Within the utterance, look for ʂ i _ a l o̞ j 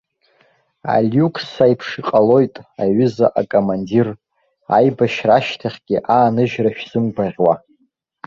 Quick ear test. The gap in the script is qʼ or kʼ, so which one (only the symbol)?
qʼ